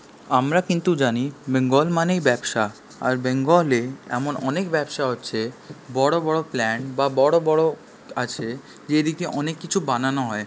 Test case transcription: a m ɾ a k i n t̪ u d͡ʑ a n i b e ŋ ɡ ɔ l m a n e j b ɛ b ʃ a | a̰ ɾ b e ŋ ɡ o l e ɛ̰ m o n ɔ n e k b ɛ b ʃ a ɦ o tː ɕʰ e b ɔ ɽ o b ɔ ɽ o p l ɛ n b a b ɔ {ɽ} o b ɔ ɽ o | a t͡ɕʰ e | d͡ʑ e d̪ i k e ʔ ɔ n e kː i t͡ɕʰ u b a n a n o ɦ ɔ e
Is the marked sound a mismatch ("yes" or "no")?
no